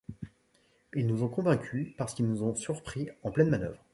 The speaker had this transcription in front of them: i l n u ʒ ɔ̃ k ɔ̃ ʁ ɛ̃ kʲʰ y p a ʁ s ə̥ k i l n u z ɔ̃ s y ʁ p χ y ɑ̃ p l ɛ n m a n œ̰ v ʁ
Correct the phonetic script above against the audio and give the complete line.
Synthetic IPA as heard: i l n u z ɔ̃ k ɔ̃ v ɛ̃ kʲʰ y p a ʁ s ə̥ k i l n u z ɔ̃ s y ʁ p χ i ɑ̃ p l ɛ n m a n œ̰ v ʁ